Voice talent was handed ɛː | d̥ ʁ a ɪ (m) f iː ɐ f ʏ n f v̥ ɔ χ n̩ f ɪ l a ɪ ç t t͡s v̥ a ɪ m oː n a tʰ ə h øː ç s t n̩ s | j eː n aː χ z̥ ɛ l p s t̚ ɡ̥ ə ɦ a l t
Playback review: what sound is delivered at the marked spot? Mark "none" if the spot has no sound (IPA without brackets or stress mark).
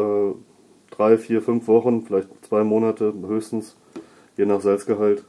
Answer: none